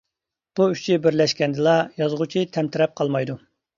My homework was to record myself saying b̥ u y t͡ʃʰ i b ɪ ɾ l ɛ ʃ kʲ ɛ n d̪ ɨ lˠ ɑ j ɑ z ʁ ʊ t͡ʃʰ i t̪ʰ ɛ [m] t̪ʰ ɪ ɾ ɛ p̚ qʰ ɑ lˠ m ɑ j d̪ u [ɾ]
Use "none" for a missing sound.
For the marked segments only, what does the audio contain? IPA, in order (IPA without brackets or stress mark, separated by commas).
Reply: m, none